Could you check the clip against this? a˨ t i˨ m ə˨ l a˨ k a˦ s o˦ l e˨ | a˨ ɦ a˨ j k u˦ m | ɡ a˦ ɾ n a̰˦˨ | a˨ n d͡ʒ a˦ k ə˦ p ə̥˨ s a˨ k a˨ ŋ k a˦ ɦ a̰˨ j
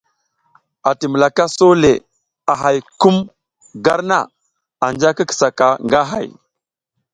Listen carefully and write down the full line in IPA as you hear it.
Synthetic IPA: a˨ t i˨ m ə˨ l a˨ k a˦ s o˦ l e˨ | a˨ ɦ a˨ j k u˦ m | ɡ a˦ ɾ n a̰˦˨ | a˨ n d͡ʒ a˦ k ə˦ k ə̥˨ s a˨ k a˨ ŋ ɡ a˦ ɦ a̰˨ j